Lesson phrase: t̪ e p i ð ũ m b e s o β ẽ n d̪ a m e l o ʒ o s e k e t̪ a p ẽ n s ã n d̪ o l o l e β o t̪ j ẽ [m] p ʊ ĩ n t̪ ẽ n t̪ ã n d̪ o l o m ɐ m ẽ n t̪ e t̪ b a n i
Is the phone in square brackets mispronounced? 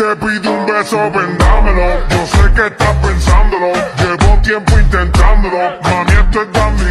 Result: no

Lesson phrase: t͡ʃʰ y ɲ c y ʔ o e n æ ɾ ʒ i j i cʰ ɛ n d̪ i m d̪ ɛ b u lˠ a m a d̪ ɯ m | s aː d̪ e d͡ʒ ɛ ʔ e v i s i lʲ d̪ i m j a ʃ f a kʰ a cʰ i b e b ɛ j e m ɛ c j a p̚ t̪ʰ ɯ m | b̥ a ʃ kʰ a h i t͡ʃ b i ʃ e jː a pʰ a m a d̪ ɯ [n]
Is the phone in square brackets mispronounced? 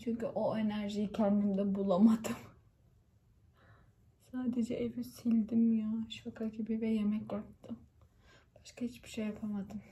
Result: yes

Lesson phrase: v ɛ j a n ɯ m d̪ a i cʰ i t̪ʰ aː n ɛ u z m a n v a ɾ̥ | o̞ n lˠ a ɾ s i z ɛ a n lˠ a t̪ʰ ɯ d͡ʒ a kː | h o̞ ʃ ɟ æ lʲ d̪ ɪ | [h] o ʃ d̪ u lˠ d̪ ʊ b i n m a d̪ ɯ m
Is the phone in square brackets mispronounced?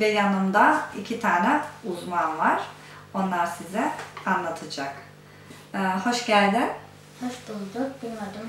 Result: no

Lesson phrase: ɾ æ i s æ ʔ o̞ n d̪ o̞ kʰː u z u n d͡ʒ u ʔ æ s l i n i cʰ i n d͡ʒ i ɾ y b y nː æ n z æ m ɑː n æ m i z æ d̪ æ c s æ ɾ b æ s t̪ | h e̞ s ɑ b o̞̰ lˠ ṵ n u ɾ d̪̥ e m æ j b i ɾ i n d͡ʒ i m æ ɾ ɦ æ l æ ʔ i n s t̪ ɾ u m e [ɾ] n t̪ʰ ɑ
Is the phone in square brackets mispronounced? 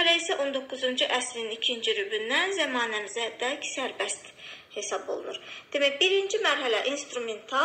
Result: yes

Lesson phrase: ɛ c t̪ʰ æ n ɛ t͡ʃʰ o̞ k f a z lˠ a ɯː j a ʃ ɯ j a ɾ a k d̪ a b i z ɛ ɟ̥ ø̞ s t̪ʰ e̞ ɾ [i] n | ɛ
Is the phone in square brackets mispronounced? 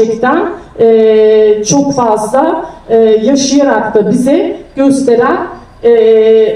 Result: yes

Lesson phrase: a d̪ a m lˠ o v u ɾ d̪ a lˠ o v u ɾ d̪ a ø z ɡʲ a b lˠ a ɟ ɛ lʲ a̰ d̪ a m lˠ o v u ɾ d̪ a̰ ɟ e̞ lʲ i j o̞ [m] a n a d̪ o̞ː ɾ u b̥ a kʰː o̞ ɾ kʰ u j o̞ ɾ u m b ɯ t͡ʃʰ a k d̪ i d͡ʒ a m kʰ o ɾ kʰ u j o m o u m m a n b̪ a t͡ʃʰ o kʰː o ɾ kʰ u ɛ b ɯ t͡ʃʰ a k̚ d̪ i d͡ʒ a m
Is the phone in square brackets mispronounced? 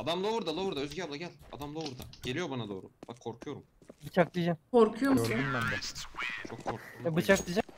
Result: yes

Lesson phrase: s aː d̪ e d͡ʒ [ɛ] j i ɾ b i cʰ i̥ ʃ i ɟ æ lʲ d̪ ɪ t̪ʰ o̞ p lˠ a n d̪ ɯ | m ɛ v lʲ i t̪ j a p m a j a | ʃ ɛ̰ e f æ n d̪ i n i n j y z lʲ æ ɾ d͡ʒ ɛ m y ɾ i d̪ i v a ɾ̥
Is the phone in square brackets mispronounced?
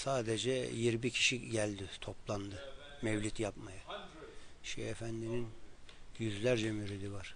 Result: no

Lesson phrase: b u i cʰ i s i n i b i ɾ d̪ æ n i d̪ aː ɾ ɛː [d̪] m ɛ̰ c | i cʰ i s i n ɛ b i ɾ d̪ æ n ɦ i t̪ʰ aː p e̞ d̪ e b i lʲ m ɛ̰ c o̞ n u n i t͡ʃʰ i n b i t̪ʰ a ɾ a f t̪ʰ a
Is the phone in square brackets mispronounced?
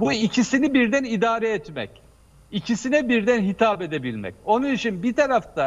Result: yes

